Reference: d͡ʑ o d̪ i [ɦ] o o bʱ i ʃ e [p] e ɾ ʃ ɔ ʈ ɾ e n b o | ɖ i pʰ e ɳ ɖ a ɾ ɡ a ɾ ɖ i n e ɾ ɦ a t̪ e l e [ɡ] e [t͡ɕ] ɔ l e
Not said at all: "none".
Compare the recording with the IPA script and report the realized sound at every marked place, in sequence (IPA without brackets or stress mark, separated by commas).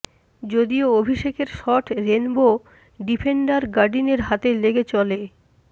none, k, ɡ, t͡ɕ